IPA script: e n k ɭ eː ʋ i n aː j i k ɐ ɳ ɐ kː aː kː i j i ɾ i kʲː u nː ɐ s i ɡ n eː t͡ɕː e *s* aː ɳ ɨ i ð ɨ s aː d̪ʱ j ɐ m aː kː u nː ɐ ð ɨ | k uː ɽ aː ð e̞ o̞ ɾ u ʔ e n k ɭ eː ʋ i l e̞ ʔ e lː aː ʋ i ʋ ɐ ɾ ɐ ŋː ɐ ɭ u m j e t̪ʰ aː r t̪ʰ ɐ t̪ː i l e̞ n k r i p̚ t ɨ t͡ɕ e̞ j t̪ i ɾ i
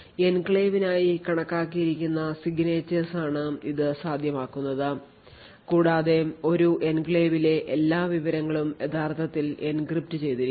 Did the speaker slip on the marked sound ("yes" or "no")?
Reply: no